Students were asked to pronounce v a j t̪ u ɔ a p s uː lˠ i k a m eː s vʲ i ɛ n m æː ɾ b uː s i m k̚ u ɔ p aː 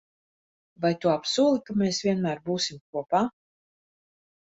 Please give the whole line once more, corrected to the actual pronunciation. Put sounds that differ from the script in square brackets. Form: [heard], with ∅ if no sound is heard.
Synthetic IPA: v a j t̪ u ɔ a p s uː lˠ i k a m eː s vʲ i ɛ n m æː ɾ b uː s i m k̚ u ɔ p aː